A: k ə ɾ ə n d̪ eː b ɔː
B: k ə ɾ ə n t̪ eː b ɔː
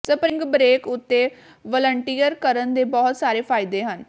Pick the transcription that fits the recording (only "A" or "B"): A